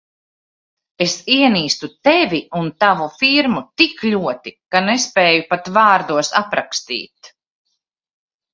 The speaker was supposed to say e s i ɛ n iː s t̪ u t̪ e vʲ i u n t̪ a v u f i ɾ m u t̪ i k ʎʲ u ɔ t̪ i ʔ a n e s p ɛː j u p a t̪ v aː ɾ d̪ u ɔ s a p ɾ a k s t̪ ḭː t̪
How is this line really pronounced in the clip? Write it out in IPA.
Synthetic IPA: e s i ɛ n iː s t̪ u t̪ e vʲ i u n t̪ a v u f i ɾ m u t̪ i k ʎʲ u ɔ t̪ i k a n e s p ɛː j u p a t̪ v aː ɾ d̪ u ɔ s a p ɾ a k s t̪ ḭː t̪